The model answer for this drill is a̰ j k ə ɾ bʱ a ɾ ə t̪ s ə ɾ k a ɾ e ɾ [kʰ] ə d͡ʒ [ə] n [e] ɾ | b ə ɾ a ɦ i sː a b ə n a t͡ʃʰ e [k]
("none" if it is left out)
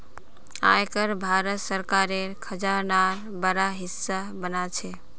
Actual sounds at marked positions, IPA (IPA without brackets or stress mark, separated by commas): kʰ, a, a, none